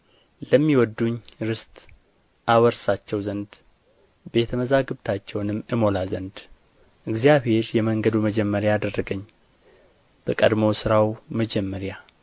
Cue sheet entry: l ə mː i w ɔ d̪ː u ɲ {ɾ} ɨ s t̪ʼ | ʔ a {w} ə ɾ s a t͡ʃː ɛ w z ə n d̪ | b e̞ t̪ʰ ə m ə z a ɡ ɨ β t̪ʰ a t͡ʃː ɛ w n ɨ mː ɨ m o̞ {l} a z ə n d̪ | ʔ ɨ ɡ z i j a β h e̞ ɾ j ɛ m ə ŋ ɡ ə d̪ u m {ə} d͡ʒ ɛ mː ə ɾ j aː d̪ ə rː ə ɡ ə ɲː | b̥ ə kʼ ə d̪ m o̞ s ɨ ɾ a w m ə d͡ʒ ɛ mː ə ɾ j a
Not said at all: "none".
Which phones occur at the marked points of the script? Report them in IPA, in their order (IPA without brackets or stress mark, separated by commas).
ɾ, w, l, ə